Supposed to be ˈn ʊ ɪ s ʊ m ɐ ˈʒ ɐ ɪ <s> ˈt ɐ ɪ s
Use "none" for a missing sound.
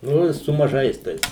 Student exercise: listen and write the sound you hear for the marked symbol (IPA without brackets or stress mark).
s